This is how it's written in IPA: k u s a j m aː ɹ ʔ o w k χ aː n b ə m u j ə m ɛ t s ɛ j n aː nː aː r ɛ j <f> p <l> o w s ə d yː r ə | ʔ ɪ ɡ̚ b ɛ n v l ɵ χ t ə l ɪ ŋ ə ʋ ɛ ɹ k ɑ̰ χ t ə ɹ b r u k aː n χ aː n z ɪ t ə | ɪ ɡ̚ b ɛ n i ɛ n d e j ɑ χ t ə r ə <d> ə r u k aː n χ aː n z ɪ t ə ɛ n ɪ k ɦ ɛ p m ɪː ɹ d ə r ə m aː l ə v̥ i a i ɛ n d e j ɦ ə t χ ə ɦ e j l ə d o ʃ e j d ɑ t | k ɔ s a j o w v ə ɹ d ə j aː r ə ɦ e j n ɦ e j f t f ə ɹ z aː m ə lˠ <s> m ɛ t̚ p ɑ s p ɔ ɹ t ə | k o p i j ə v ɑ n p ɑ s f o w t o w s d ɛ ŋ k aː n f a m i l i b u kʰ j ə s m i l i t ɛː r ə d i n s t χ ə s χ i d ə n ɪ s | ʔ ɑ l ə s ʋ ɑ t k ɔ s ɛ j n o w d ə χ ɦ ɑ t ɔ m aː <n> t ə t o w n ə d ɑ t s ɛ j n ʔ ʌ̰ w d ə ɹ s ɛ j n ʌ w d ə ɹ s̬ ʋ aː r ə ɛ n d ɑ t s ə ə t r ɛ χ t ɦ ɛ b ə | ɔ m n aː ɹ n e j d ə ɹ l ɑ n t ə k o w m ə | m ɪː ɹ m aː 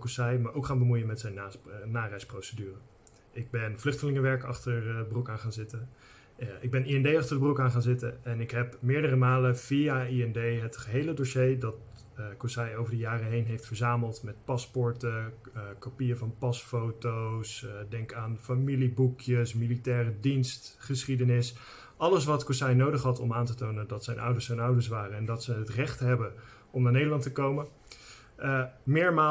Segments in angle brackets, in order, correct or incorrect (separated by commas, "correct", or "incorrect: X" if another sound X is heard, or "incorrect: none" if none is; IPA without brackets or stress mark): incorrect: s, incorrect: r, incorrect: b, incorrect: t, correct